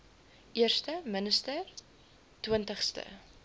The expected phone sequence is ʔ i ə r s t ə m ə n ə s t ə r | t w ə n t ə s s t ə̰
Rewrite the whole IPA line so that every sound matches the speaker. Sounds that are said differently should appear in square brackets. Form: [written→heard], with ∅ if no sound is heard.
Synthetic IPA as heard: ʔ i ə r s t ə m ə n ə s t ə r | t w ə n t ə [s→χ] s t ə̰

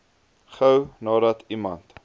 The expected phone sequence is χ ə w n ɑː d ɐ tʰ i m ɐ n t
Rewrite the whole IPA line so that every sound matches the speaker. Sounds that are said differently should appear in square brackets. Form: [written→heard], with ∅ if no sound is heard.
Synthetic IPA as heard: χ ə w n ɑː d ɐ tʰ i m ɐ n t

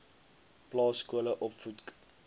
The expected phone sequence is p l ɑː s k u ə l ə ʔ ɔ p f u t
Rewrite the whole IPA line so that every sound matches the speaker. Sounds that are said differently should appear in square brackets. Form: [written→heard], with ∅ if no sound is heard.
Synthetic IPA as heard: p l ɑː s k u ə l ə ʔ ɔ p f u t

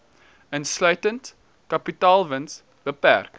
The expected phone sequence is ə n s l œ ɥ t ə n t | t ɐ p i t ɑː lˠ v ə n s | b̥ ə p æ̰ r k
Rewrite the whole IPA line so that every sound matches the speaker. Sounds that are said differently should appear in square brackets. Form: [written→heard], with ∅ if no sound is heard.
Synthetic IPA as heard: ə n s l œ ɥ t ə n t | [t→k] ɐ p i t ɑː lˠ v ə n s | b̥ ə p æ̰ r k

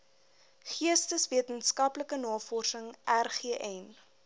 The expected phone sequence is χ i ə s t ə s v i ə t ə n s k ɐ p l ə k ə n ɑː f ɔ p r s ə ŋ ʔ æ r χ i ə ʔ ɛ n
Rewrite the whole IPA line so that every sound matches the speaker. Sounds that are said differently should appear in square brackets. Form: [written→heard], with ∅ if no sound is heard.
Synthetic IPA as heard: χ i ə s t ə s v i ə t ə n s k ɐ p l ə k ə n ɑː f ɔ [p→∅] r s ə ŋ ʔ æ r χ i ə ʔ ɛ n

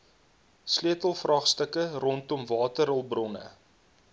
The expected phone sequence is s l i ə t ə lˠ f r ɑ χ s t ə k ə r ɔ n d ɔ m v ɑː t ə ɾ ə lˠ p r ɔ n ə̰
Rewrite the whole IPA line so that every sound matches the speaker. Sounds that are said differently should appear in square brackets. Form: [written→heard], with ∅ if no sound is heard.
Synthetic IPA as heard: s l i ə t ə lˠ f r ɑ χ s t ə k ə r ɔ n [d→t] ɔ m v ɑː t ə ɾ ə lˠ [p→b] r ɔ n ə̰

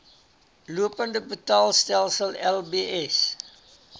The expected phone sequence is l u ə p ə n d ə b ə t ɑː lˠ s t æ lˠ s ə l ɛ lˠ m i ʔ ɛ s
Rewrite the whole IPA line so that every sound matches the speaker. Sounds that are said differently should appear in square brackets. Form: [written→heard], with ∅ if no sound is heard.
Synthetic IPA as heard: l u ə p ə n d ə b ə t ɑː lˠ s t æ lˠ s ə l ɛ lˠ [m→b] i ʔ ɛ s

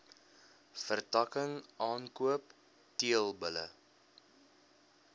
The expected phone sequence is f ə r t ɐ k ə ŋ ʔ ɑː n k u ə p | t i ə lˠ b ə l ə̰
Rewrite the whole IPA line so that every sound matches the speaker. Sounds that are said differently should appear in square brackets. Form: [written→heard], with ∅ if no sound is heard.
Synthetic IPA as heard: f ə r t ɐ k ə ŋ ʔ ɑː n k u ə p | t i ə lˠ b ə l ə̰

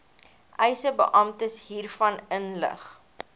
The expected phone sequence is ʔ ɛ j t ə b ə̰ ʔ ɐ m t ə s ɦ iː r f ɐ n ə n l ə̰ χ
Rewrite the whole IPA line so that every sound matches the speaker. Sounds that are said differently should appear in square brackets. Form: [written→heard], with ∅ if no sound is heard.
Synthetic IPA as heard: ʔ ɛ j [t→s] ə b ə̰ ʔ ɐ m t ə s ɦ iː r f ɐ n ə n l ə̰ χ

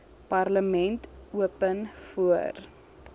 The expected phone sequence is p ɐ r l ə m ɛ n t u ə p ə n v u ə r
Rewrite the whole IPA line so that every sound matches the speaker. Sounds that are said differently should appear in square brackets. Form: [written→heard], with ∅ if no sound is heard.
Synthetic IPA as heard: p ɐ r l ə m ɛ n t u ə p ə n [v→f] u ə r

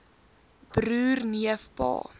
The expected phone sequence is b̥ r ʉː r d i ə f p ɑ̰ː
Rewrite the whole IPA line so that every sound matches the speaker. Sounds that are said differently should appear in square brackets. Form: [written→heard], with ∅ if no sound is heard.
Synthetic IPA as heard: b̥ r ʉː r [d→n] i ə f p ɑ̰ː

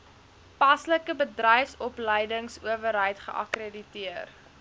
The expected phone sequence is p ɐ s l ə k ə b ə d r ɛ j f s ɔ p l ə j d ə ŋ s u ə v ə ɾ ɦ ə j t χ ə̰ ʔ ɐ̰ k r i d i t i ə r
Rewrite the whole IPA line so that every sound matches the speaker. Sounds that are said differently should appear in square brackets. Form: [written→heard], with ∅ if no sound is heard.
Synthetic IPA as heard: p ɐ s l ə k ə b ə d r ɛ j f s ɔ p l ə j d ə ŋ s u ə v ə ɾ ɦ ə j t χ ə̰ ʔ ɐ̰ k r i d i t i ə r

